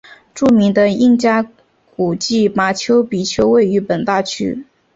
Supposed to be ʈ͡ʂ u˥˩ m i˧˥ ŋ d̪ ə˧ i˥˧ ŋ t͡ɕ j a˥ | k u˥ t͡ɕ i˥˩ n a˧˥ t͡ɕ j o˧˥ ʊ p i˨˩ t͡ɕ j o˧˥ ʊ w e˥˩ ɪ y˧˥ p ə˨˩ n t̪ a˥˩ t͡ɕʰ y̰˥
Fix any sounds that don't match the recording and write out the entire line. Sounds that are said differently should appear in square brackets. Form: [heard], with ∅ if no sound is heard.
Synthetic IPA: ʈ͡ʂ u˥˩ m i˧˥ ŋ d̪ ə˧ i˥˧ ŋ t͡ɕ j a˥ | k [u˨˩] t͡ɕ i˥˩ [m] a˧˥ [t͡ɕʰ] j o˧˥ ʊ p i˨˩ [t͡ɕʰ] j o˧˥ ʊ w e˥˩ ɪ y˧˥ p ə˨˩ n t̪ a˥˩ t͡ɕʰ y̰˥